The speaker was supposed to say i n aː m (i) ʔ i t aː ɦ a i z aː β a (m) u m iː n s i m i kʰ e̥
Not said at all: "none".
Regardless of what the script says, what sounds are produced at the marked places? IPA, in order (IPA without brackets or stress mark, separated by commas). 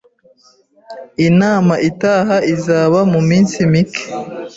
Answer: a, m